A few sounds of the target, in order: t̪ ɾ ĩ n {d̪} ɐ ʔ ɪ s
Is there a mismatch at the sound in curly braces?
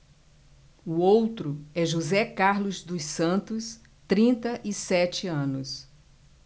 yes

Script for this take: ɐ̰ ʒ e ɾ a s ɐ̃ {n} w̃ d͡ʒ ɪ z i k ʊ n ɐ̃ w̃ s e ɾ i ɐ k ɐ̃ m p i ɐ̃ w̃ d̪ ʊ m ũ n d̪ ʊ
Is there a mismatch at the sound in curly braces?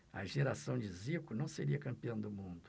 yes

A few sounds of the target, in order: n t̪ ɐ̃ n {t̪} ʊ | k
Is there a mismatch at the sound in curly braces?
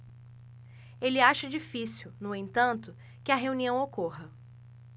no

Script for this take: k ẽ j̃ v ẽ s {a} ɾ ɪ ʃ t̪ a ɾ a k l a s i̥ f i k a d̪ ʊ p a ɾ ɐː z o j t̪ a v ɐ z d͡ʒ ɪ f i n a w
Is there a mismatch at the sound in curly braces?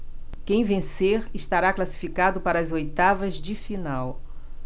yes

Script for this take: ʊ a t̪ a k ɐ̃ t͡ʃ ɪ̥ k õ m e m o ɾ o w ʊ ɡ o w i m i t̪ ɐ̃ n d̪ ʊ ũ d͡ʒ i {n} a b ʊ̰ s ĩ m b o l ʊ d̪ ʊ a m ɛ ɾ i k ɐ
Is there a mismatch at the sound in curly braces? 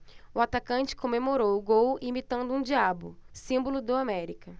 yes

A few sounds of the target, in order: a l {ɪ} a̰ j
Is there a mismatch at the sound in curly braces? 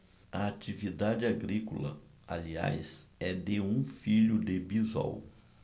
yes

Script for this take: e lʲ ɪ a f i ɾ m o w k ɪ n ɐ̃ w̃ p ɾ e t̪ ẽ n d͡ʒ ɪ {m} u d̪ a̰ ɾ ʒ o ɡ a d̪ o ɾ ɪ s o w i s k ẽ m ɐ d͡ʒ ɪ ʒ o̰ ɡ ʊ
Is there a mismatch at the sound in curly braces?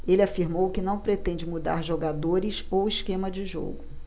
no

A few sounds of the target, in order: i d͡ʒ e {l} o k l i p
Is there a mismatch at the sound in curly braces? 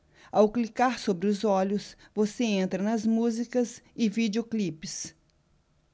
yes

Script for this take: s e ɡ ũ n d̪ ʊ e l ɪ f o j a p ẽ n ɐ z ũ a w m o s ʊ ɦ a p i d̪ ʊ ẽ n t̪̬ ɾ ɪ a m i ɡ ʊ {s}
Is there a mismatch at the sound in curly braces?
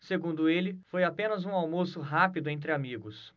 no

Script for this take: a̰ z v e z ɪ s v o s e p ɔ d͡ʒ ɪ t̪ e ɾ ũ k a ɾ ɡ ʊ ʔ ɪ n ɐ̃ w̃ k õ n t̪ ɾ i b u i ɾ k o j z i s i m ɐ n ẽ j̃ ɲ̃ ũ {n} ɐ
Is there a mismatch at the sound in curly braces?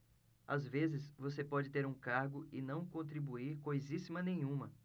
yes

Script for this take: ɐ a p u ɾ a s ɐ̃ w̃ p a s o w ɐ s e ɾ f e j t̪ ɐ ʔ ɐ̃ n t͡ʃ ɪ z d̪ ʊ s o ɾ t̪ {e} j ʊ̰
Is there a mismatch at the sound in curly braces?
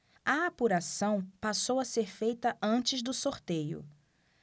no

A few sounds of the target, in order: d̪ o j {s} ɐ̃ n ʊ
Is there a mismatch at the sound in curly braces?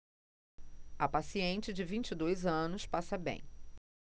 yes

